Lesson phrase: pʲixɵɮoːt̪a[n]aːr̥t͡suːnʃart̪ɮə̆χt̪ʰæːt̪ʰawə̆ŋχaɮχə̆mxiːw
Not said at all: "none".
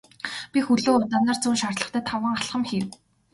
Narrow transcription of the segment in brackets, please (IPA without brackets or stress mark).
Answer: n